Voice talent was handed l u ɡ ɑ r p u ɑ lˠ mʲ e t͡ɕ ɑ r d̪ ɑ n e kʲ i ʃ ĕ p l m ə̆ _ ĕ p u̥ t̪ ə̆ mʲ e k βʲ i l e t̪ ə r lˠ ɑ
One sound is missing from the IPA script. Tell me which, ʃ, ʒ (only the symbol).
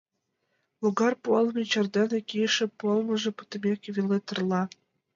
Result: ʒ